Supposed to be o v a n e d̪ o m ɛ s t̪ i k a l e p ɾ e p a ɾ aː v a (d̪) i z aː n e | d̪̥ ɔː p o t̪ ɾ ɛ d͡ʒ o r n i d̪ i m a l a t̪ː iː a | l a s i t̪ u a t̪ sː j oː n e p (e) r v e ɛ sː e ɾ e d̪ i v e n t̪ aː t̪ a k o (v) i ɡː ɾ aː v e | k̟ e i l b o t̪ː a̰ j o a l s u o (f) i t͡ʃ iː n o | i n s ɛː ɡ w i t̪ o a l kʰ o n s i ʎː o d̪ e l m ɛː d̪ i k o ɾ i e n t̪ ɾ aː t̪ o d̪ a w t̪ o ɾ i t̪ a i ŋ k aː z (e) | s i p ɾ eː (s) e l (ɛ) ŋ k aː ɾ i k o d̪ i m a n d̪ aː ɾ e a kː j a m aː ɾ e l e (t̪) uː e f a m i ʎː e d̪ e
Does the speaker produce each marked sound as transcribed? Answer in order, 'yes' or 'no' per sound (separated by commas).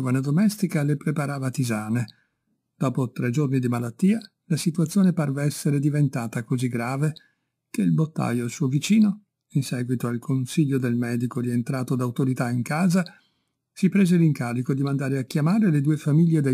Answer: no, no, no, no, no, no, no, no